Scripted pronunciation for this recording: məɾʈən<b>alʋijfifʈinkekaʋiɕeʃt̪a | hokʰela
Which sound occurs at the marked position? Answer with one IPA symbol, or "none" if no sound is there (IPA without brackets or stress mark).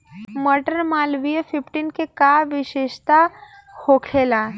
m